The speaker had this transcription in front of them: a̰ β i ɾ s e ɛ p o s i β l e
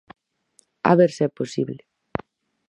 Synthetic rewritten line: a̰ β e ɾ s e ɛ p o s i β l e